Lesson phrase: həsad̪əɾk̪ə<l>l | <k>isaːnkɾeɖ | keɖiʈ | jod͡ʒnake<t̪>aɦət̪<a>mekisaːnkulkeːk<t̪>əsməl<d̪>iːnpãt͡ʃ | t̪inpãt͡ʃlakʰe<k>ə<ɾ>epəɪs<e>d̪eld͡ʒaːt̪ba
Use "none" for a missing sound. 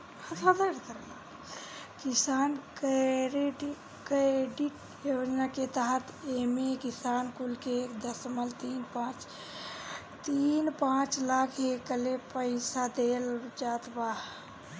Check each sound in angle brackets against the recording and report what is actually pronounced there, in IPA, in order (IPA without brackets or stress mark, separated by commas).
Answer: ɾ, k, t̪, e, d̪, t̪, k, l, a